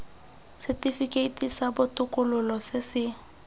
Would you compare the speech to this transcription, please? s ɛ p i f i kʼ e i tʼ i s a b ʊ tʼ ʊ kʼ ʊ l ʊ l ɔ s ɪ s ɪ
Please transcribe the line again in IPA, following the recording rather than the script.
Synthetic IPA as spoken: s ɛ t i f i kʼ e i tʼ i s a b ʊ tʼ ʊ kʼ ʊ l ʊ l ɔ s ɪ s ɪ